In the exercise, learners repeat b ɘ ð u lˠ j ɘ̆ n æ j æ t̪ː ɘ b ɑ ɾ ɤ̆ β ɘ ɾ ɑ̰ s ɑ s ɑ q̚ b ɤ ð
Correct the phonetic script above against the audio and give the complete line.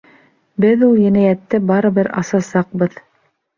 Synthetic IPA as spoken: b ɘ ð u lˠ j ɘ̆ n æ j æ t̪ː ɘ b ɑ ɾ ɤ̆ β ɘ ɾ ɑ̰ s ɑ s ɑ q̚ b ɤ ð